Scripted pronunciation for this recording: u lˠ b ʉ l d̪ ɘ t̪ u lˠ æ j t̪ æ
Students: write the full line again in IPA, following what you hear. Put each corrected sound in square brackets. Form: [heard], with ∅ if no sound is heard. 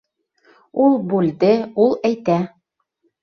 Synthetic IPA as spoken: u lˠ b ʉ l d̪ ɘ [∅] u lˠ æ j t̪ æ